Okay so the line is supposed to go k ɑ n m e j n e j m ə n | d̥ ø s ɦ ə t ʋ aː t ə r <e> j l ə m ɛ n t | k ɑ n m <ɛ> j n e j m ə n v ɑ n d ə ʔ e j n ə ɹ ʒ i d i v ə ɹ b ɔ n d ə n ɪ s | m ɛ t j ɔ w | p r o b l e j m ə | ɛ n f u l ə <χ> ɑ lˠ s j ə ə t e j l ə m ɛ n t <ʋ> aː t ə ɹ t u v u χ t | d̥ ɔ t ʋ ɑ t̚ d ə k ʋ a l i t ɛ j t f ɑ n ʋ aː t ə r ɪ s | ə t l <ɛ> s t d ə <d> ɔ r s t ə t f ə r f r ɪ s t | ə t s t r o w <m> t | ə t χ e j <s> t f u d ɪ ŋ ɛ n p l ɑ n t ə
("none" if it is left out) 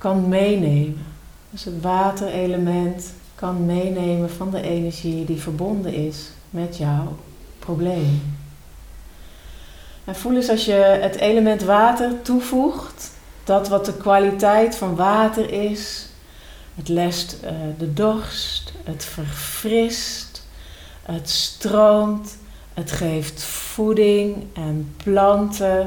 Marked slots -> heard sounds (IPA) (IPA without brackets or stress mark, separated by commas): e, e, s, ʋ, ɛ, d, m, f